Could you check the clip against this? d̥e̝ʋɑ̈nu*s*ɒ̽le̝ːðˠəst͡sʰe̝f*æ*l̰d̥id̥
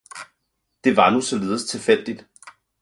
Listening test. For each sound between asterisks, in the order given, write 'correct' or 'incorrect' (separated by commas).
correct, incorrect